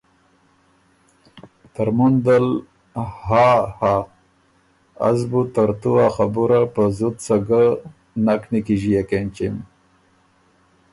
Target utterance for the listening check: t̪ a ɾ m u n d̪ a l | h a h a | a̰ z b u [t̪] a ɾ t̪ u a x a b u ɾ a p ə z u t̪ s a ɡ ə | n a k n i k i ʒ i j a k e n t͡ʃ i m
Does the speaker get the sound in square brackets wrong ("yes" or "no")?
no